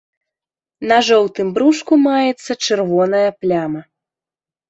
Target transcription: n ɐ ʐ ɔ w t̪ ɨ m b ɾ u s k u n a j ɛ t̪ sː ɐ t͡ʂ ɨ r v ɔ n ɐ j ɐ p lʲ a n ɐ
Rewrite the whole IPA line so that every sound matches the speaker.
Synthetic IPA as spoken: n ɐ ʐ ɔ w t̪ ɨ m b ɾ u ʂ k u m a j ɛ t̪ sː ɐ t͡ʂ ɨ r v ɔ n ɐ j ɐ p lʲ a m ɐ